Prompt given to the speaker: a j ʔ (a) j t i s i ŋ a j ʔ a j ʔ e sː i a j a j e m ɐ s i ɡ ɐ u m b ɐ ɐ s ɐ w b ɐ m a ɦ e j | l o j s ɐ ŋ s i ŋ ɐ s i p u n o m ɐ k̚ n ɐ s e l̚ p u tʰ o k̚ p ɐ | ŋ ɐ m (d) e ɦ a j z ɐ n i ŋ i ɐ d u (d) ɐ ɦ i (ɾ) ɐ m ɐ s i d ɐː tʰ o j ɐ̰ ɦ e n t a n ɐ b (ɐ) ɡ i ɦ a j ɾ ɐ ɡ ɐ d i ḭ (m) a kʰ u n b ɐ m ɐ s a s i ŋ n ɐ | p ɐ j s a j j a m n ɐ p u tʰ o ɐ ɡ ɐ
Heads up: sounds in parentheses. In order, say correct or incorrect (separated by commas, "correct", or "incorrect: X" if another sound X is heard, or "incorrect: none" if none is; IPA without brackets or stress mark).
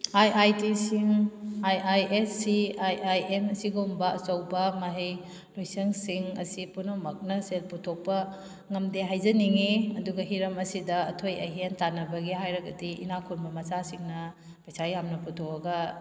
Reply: correct, correct, incorrect: ɡ, correct, correct, incorrect: n